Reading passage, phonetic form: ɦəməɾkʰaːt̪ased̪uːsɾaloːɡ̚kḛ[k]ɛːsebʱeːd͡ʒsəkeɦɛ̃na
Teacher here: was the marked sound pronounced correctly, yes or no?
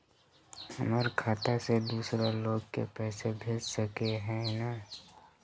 no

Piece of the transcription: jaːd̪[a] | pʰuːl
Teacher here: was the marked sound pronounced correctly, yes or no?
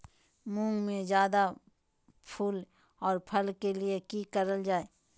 yes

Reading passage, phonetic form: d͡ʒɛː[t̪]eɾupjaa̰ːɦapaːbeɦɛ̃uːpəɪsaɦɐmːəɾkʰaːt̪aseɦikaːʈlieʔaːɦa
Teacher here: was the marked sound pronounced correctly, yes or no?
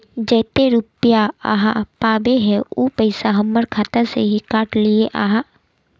yes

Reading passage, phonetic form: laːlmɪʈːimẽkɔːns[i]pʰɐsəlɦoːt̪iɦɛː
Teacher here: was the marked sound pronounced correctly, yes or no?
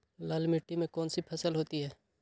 yes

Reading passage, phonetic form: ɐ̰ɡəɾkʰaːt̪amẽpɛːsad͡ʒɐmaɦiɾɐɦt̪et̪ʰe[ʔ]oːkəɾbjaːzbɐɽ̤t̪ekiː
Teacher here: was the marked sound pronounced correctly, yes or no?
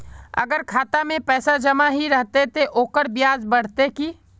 yes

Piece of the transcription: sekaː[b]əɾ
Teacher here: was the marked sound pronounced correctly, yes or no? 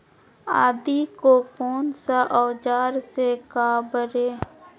yes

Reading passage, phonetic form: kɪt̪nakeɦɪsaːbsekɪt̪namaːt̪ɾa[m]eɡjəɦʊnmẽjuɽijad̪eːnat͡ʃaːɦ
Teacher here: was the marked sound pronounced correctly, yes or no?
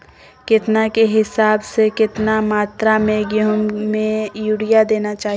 yes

